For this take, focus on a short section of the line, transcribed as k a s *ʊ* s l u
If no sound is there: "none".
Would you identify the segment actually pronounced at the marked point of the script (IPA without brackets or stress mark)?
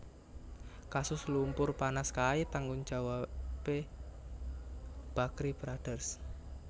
ʊ